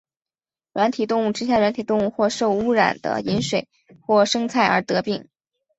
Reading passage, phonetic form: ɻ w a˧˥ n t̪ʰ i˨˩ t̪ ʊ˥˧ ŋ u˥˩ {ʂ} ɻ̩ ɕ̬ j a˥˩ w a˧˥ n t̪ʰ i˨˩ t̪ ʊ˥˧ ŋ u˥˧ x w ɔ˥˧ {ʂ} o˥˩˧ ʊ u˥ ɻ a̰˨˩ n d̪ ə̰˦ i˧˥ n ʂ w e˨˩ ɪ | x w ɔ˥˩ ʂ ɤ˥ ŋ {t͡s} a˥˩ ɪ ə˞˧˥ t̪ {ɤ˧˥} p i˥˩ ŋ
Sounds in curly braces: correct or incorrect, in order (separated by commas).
incorrect, correct, incorrect, correct